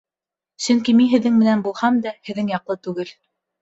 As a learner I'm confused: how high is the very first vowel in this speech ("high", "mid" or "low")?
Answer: mid